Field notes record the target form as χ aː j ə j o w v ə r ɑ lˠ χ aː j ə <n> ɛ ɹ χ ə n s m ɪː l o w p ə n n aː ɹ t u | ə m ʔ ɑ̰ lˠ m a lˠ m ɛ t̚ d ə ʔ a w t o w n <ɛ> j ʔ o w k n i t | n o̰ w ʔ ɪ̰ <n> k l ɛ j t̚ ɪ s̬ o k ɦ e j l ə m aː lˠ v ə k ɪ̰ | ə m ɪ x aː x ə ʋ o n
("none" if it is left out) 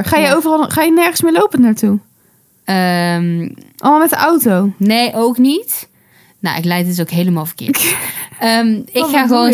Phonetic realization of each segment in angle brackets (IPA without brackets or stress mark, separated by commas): n, e, none